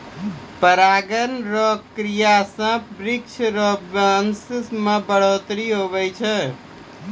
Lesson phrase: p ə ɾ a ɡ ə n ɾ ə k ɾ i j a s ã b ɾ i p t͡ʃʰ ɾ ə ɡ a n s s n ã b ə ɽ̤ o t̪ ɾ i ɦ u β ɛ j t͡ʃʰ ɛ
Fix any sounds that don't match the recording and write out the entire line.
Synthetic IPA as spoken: p ə ɾ a ɡ ə n ɾ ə k ɾ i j a s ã b ɾ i k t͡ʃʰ ɾ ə b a n s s m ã b ə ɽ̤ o t̪ ɾ i ɦ o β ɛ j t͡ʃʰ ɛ